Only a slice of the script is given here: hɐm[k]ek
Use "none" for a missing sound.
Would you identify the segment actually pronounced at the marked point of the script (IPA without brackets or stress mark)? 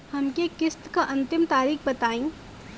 k